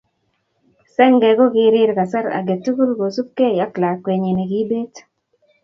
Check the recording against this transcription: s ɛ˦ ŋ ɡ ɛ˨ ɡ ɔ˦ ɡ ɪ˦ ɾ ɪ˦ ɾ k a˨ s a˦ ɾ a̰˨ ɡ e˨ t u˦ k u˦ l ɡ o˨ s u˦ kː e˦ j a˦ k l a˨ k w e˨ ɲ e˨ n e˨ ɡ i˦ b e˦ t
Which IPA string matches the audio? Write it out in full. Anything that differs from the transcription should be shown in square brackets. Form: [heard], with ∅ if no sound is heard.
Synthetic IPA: s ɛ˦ ŋ ɡ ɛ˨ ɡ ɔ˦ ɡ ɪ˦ ɾ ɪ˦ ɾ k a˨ s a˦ ɾ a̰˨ ɡ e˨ t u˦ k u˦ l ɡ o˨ s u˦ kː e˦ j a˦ k l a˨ k w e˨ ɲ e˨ n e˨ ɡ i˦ b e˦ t